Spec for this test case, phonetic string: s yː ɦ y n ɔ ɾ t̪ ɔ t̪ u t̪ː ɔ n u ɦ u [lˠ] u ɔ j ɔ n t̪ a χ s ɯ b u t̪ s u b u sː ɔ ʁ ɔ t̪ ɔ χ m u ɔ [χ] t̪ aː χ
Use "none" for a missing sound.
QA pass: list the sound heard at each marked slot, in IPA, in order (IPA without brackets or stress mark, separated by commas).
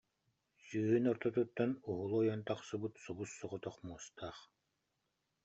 lˠ, s